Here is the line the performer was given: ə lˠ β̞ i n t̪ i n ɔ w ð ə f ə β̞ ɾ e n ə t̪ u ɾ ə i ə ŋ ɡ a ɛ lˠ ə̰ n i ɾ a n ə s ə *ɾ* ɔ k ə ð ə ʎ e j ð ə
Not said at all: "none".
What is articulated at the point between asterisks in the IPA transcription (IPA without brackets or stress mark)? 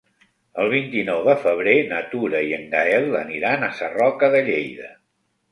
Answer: r